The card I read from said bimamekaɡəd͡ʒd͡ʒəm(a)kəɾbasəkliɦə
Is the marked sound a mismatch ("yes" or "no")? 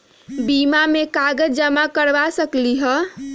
no